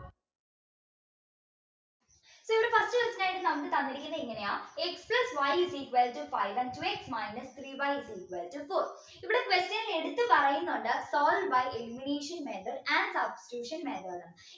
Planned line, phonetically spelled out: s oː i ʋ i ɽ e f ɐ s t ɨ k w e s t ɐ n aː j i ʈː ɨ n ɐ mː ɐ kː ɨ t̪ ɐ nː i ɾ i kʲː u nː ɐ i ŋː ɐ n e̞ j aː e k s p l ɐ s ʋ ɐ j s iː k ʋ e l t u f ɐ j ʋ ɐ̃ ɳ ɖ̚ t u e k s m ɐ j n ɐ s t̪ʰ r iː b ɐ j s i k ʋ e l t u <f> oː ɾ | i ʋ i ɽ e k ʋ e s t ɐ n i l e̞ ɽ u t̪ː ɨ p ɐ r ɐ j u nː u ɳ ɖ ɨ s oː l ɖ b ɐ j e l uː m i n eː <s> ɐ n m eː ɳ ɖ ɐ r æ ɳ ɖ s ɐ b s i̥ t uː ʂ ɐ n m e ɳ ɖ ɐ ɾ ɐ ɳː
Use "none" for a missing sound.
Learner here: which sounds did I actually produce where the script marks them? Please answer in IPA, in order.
f, ʂ

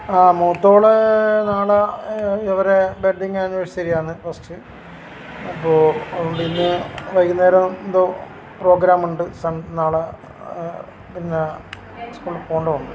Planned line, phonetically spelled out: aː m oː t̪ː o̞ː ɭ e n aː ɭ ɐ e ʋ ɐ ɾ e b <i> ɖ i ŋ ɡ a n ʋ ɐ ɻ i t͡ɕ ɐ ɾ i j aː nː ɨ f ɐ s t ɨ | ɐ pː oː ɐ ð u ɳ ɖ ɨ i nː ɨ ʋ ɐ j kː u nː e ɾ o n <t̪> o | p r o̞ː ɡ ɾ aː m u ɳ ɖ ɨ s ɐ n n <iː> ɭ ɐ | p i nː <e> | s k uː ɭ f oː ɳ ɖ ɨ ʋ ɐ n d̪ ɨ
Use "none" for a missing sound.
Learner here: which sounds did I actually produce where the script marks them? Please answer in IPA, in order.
e, d̪, aː, e

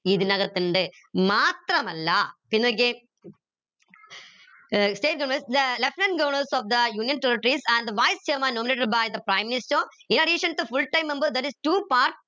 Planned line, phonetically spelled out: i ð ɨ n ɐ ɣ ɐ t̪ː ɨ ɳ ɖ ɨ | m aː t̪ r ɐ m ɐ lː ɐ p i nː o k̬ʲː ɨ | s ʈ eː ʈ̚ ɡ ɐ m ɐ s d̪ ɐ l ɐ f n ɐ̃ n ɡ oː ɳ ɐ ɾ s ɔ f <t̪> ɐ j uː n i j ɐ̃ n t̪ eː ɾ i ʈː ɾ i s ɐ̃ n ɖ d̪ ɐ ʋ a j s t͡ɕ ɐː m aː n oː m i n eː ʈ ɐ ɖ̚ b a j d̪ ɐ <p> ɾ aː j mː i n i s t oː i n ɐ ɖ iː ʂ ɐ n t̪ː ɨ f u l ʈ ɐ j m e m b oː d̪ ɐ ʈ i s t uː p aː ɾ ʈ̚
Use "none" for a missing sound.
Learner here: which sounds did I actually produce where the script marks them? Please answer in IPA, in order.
d̪, p

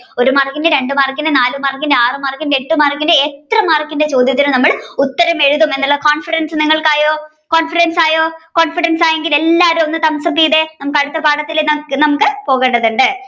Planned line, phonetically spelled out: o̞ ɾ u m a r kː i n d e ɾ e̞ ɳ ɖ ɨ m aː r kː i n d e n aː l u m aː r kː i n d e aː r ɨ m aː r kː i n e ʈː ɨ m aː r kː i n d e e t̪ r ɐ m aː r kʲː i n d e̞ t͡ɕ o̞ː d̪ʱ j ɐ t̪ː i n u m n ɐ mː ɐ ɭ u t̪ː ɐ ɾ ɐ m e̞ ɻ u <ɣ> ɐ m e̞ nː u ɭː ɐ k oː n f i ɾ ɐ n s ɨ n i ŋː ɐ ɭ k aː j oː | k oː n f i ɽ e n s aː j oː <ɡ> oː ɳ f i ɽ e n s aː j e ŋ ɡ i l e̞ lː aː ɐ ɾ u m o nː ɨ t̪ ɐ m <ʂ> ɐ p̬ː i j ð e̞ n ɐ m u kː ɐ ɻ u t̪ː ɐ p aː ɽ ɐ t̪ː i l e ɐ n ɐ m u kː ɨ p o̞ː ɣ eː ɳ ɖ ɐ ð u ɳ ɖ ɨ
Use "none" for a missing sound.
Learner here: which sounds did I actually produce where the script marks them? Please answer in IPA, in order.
ð, k, s

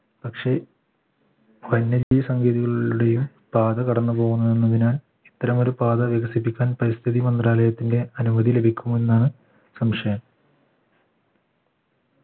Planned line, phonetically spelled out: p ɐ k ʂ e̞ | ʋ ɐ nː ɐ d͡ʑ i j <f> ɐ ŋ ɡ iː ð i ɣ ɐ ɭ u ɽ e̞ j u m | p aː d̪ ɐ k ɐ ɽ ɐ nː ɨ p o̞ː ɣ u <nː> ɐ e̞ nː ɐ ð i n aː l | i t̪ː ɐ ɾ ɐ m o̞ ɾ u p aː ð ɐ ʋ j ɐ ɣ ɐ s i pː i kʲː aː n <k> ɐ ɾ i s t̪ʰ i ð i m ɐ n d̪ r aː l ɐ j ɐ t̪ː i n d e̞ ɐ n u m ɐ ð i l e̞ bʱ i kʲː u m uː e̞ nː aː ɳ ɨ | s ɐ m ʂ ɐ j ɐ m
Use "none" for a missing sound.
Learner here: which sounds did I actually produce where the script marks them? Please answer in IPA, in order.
s, nː, p

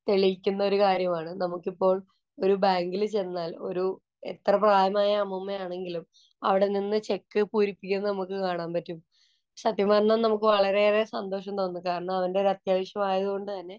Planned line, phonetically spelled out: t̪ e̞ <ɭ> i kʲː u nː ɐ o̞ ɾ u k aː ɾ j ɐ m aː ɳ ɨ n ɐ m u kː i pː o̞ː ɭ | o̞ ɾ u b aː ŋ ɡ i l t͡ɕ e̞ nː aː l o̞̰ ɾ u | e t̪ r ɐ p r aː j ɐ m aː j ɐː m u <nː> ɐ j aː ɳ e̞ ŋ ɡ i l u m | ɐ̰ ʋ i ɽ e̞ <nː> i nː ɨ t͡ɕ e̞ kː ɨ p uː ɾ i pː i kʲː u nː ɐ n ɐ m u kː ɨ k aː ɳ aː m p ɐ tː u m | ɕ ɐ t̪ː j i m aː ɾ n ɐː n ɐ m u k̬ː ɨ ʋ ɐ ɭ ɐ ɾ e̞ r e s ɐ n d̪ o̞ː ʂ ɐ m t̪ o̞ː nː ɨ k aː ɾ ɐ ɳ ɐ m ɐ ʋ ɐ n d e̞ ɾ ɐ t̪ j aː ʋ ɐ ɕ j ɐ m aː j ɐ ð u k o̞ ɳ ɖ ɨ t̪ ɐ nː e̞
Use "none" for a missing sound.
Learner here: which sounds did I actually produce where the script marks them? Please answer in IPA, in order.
ɭ, mː, n

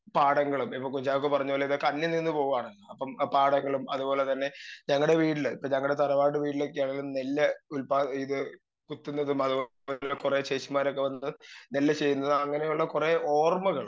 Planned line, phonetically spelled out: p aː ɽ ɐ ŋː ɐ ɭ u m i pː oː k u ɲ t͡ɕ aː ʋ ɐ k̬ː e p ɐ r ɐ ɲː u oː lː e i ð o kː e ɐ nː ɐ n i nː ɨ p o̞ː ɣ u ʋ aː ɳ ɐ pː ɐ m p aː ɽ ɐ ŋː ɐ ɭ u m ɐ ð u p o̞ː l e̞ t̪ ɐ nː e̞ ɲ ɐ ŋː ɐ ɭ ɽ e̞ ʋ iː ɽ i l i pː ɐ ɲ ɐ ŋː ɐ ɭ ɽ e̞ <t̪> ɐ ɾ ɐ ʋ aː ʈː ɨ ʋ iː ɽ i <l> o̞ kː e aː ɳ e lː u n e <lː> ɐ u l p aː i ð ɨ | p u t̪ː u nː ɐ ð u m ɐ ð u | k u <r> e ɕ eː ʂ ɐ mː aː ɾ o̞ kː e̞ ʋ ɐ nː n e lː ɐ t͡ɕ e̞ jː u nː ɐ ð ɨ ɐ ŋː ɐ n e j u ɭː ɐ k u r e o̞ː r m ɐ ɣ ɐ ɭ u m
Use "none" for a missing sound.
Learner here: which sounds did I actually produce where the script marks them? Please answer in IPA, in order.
t̪, l, lː, r

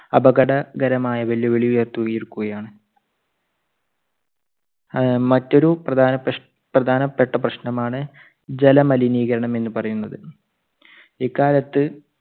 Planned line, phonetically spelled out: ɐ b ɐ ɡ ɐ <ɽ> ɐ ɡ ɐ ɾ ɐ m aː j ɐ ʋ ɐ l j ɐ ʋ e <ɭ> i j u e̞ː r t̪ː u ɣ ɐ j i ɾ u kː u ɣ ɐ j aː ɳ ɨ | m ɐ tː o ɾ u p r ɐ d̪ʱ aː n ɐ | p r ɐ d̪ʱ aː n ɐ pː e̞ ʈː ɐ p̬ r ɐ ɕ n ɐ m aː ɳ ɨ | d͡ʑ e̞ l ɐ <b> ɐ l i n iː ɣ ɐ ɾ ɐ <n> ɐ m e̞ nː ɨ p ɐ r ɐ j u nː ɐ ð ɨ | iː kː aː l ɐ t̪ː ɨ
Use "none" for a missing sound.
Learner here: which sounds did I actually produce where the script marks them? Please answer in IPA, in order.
ɽ, ɭ, m, ɳ

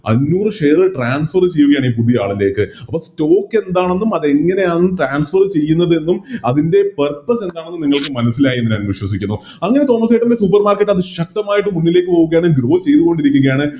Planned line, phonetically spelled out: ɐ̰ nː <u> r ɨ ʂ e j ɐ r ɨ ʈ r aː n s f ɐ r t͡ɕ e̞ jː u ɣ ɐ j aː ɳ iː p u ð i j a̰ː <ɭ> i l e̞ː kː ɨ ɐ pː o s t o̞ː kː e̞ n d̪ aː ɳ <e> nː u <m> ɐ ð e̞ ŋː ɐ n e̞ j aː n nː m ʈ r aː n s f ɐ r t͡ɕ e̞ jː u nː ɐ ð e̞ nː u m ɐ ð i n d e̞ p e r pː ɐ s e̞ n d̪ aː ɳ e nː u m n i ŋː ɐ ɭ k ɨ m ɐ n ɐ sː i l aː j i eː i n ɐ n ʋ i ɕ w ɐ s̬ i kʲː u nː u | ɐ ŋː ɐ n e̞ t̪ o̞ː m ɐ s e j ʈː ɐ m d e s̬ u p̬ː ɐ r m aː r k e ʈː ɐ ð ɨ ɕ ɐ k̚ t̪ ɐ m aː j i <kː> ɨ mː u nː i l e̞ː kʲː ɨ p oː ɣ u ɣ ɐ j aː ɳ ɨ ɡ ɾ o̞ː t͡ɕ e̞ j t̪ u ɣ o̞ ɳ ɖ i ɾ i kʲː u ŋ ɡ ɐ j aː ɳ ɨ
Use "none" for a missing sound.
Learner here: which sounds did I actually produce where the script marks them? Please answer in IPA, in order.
uː, ɭ, e, m, ʈː

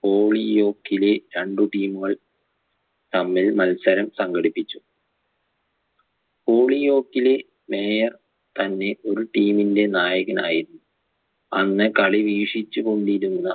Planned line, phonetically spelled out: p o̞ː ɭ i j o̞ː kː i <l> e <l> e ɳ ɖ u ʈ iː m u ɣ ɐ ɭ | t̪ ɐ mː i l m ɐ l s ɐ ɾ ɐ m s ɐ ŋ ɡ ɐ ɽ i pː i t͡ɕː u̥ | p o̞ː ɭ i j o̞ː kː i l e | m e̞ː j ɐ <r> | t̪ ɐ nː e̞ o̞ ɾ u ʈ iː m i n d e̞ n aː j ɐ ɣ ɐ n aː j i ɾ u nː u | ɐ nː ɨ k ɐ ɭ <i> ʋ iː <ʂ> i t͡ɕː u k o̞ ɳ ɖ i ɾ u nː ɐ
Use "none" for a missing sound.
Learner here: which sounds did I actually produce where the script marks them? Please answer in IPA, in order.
l, ɾ, r, i, ʂ

